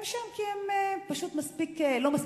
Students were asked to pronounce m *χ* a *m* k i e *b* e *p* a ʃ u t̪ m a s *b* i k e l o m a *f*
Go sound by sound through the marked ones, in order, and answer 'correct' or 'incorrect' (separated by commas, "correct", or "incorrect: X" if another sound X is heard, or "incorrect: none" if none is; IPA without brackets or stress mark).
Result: incorrect: ʃ, correct, incorrect: m, correct, incorrect: p, incorrect: s